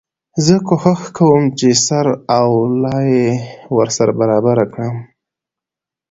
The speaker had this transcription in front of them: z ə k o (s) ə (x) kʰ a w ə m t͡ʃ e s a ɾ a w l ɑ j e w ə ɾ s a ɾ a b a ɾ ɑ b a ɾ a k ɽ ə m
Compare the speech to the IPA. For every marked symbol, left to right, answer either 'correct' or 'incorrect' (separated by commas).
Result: incorrect, correct